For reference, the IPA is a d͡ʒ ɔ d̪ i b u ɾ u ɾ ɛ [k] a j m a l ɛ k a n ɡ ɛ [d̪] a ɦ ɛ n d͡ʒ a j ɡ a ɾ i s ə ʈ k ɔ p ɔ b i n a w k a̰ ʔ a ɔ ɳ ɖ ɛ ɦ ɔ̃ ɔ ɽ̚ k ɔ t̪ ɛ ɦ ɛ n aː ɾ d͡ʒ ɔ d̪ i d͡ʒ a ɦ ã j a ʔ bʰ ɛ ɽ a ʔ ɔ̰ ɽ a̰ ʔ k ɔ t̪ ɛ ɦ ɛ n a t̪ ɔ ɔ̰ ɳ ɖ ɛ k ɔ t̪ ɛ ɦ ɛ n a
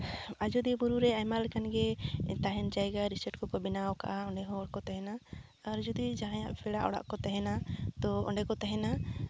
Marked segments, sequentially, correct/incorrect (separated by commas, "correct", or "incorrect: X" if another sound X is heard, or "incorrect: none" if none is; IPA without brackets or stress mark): incorrect: none, incorrect: t̪